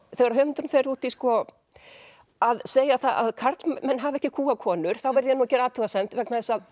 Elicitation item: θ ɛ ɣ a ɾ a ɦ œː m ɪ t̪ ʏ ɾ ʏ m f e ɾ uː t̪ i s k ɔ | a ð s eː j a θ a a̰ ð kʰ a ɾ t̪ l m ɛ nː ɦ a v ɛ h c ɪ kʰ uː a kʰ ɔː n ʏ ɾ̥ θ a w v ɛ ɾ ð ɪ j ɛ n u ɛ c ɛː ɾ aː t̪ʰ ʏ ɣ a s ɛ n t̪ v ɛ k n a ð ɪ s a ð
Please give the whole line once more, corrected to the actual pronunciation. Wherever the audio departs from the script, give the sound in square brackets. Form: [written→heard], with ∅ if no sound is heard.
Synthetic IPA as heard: θ ɛ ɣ a ɾ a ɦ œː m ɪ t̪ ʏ ɾ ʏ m f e ɾ uː t̪ i s k ɔ | a ð s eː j a θ a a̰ ð kʰ a ɾ t̪ l m ɛ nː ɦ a v ɛ h c ɪ kʰ uː a kʰ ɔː n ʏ ɾ̥ θ a w v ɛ ɾ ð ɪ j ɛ n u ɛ c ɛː ɾ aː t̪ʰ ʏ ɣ a s ɛ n t̪ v ɛ k n a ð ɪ s a ð